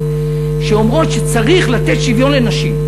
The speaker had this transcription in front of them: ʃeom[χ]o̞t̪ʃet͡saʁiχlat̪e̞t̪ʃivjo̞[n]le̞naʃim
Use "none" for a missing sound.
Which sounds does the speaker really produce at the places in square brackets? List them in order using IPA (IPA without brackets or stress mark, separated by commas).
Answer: ʁ, n